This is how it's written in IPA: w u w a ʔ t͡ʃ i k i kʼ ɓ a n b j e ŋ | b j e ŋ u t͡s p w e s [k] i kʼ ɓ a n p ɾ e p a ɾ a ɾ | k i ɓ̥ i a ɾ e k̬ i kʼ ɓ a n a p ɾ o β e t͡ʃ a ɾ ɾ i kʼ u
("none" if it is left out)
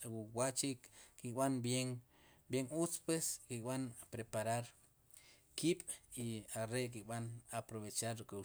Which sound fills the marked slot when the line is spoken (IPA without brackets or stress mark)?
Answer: k